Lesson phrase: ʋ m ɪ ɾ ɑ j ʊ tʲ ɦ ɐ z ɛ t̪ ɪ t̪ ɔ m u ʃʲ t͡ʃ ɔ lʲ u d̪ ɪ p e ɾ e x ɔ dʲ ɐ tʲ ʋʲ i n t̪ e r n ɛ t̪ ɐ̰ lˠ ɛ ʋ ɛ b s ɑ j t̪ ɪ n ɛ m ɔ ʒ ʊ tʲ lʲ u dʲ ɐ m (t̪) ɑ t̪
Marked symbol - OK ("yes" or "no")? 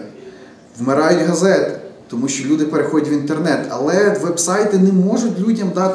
no